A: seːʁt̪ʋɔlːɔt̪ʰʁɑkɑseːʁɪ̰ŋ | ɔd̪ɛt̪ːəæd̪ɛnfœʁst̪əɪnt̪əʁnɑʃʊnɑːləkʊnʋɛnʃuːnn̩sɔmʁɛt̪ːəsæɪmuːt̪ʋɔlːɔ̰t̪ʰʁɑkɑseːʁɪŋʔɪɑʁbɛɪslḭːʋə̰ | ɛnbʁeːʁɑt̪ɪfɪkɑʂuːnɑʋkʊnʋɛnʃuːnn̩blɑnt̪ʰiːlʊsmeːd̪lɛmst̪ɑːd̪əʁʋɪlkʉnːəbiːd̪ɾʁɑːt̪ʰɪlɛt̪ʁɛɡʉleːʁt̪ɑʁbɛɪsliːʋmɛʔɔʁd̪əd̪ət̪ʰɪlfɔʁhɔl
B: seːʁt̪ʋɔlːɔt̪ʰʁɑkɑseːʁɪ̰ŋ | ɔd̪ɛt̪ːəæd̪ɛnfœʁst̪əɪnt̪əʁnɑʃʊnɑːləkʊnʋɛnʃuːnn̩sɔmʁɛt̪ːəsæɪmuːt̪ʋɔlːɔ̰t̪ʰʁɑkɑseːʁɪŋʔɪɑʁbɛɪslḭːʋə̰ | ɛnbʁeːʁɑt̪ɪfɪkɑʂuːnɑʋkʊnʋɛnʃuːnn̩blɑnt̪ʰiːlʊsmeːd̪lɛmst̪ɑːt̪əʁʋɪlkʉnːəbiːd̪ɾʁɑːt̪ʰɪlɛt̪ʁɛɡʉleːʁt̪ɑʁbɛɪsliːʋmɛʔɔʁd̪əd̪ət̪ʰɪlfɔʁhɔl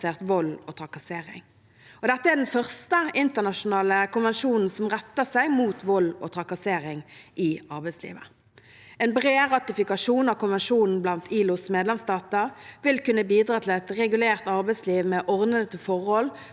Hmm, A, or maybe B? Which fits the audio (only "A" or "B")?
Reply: B